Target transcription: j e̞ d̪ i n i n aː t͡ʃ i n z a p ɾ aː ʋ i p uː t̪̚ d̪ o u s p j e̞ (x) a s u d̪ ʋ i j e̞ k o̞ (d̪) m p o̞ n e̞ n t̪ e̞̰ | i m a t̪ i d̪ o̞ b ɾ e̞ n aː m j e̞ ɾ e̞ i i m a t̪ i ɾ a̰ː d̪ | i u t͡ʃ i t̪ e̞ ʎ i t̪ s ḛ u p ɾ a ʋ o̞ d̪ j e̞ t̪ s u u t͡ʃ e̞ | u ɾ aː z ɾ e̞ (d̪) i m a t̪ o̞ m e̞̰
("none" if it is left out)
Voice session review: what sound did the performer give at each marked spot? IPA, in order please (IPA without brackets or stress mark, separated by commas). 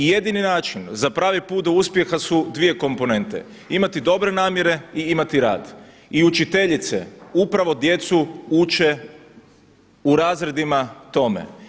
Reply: x, none, d̪